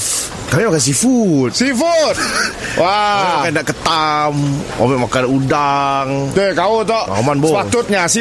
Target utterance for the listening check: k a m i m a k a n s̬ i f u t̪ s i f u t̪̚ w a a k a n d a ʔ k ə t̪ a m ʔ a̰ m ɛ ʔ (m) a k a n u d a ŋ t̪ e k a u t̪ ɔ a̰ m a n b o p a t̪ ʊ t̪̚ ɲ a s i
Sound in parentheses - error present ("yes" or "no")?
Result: no